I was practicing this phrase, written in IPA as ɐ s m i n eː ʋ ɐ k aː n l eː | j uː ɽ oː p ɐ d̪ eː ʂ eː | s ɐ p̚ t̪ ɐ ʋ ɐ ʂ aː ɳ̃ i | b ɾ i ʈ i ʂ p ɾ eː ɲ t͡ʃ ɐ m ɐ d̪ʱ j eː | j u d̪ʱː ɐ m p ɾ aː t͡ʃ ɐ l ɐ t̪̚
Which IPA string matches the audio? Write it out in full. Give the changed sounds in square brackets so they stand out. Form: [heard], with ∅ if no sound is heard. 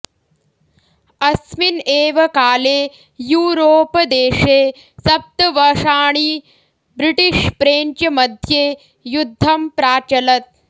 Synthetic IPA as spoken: ɐ s m i n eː ʋ ɐ k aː [∅] l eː | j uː [ɾ] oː p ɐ d̪ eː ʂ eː | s ɐ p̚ t̪ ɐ ʋ ɐ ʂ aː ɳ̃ i | b ɾ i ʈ i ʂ p ɾ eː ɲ t͡ʃ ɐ m ɐ d̪ʱ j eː | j u d̪ʱː ɐ m p ɾ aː t͡ʃ ɐ l ɐ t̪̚